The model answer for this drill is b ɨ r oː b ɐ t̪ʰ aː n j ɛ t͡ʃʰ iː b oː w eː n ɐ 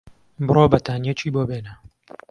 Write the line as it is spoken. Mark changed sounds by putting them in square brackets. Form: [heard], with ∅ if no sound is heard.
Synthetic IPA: b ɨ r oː b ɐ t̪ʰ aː n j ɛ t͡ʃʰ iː b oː [b] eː n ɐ